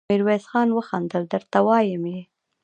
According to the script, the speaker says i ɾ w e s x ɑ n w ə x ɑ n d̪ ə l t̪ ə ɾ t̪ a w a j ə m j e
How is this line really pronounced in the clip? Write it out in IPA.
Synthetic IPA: i ɾ w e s x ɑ n w ə x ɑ n d̪ ə l d̪ ə ɾ t̪ a w ɑ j ə m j e